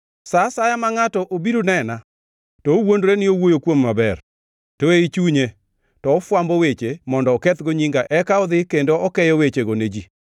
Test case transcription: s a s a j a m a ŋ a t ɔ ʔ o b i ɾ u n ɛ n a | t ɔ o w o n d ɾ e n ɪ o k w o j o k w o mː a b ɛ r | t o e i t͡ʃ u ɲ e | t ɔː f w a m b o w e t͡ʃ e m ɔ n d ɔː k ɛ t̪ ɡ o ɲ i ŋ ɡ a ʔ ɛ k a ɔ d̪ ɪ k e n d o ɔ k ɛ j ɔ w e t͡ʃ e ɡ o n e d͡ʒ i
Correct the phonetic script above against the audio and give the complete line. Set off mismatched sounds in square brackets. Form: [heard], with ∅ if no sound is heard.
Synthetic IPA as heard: s a s a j a m a ŋ a t ɔ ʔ o b i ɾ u n ɛ n a | t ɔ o w o n d ɾ e n ɪ o [∅] w o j o k w o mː a b ɛ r | t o e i t͡ʃ u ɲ e | t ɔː f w a m b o w e t͡ʃ e m ɔ n d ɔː k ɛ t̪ ɡ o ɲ i ŋ ɡ a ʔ ɛ k a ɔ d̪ ɪ k e n d o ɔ k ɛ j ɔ w e t͡ʃ e ɡ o n e d͡ʒ i